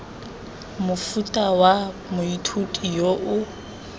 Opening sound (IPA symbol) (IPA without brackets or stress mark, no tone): m